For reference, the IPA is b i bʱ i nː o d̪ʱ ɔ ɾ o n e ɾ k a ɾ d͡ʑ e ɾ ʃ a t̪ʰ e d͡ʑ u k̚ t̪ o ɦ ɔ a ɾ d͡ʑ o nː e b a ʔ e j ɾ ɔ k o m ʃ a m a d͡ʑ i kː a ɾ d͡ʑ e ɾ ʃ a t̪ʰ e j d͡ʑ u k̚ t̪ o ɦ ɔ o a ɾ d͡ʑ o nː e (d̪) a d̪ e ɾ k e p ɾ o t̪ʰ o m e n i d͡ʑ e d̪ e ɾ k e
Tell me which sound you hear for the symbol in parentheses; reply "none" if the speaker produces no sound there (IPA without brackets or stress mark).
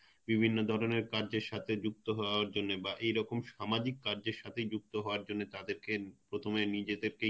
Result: t̪